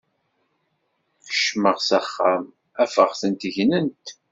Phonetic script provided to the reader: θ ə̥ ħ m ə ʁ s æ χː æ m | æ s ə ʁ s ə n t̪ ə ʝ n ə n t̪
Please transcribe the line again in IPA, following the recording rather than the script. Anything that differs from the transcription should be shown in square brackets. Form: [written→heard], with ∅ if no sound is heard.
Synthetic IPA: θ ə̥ [ħ→ʃ] m ə ʁ s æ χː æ m | æ [s→f] ə ʁ [s→θ] ə n t̪ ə ʝ n ə n t̪